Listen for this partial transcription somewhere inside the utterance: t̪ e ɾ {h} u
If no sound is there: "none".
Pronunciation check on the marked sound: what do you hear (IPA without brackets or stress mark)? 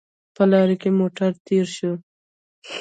ʃ